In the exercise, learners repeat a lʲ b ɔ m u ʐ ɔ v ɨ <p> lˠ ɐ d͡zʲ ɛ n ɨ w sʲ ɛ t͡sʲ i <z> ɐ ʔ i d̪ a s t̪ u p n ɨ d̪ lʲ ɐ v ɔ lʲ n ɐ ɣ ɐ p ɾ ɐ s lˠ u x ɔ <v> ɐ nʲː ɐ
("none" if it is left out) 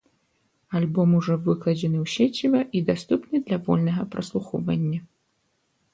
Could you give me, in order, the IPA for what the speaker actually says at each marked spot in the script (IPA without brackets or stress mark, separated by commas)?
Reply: k, v, v